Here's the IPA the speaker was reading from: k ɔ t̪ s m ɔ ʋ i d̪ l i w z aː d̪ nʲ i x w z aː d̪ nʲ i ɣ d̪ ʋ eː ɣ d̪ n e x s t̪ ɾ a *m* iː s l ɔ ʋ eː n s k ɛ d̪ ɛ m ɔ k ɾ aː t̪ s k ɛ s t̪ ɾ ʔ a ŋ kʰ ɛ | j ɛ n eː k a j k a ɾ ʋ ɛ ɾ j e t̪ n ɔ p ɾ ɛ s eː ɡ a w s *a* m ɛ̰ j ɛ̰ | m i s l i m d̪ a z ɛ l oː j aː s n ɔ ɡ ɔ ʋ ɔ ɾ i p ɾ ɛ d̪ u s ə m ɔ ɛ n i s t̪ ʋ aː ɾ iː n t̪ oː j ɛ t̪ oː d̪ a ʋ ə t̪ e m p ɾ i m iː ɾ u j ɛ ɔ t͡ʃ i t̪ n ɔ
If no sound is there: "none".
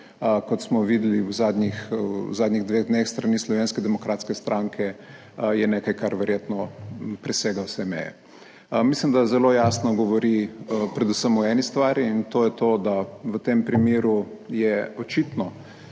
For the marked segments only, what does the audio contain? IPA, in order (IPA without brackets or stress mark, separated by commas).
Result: n, ɛ